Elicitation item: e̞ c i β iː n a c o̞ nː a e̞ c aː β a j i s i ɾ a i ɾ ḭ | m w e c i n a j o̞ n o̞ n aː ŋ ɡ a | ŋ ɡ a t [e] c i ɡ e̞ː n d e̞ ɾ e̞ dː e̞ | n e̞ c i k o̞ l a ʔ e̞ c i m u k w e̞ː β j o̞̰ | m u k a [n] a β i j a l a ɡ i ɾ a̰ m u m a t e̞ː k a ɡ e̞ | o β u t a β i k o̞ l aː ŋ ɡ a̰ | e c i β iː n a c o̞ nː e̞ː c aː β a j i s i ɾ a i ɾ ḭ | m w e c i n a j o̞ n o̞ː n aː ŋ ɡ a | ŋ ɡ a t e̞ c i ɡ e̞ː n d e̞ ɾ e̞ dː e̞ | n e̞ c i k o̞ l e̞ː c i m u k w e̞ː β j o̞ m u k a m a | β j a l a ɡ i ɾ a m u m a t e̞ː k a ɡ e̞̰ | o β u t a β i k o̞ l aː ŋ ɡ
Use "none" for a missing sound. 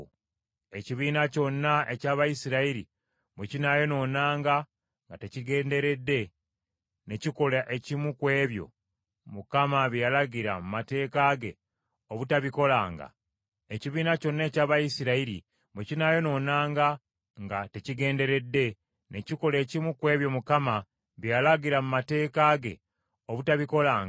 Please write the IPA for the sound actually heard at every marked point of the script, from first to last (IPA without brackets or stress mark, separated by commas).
e, m